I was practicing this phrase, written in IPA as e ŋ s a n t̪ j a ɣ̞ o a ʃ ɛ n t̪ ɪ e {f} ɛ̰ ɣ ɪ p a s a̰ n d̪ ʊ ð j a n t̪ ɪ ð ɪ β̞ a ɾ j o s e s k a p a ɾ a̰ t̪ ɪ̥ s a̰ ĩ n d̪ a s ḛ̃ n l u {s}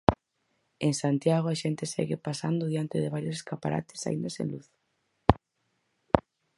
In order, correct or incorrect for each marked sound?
incorrect, incorrect

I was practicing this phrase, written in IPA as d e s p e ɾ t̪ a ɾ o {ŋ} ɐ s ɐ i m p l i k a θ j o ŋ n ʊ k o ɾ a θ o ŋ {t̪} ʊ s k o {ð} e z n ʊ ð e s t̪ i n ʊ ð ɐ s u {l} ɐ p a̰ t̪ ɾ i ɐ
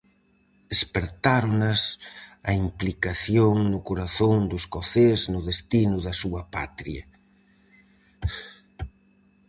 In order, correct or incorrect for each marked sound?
incorrect, incorrect, incorrect, incorrect

